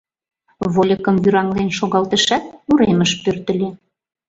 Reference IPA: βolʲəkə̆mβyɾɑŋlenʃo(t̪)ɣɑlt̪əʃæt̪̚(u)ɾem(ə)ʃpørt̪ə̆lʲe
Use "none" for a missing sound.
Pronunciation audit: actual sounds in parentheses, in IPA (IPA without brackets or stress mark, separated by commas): none, u, ə